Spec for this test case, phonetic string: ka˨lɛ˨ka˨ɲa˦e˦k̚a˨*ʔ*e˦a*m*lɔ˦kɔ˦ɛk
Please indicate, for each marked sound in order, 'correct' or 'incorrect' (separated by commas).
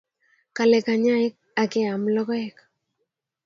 incorrect, correct